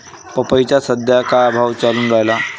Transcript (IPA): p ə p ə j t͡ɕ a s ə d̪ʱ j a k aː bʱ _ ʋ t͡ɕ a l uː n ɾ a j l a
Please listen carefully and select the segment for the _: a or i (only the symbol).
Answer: a